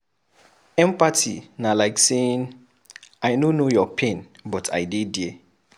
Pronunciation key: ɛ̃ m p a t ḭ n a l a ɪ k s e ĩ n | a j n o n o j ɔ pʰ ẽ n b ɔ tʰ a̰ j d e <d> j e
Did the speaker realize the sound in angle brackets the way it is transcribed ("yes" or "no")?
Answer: yes